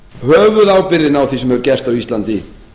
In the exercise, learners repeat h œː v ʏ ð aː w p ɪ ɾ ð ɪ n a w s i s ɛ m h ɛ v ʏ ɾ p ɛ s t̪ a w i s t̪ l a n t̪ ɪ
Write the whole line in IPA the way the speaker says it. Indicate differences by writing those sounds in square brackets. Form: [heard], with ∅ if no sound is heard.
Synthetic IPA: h œː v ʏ ð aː w p ɪ ɾ ð ɪ n a w [θ] i s ɛ m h ɛ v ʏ ɾ [c] ɛ s t̪ a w i s t̪ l a n t̪ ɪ